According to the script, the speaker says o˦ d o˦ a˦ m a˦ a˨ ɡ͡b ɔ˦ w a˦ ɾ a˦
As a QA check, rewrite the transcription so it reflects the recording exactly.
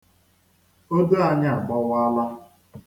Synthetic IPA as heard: o˦ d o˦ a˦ ɲ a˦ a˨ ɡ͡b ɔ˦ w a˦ l a˦